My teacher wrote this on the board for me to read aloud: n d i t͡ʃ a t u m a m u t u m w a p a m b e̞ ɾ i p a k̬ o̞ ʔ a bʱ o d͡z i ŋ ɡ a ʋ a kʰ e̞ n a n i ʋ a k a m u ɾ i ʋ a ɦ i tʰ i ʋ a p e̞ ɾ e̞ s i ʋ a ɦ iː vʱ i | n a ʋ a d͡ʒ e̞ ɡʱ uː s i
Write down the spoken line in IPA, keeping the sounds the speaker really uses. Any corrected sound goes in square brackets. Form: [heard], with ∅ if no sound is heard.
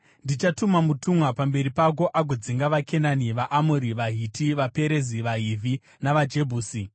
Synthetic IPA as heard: n d i t͡ʃ a t u m a m u t u m w a p a m b e̞ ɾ i p a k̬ o̞ ʔ a [ɡʱ] o d͡z i ŋ ɡ a ʋ a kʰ e̞ n a n i ʋ a [ʔ] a m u ɾ i ʋ a ɦ i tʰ i ʋ a p e̞ ɾ e̞ [z] i ʋ a ɦ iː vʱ i | n a ʋ a d͡ʒ e̞ [bʱ] uː s i